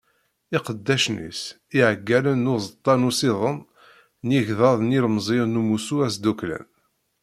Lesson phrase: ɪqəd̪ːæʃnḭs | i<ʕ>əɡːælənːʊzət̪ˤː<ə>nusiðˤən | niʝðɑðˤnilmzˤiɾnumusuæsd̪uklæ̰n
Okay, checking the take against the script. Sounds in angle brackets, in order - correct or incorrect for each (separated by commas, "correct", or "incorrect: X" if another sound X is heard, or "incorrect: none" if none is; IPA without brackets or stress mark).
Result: correct, incorrect: ɑ